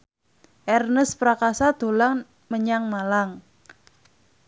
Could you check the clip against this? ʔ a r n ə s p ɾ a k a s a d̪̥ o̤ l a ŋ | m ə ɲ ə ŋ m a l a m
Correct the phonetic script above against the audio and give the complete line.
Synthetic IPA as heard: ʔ ɛ r n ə s p ɾ a k a s a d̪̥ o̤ l a ŋ | m ə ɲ a ŋ m a l a ŋ